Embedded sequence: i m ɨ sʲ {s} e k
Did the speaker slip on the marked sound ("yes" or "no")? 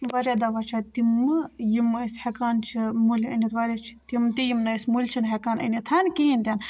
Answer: yes